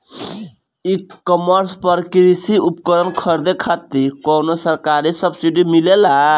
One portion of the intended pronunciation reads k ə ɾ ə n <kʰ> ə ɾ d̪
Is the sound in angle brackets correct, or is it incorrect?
correct